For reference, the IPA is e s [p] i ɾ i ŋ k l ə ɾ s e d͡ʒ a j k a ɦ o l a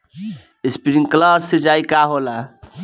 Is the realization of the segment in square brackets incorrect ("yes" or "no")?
no